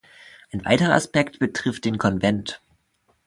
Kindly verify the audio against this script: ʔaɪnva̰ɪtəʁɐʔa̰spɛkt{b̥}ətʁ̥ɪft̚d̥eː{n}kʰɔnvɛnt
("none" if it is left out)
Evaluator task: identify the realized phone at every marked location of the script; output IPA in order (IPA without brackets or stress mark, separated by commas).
b̥, n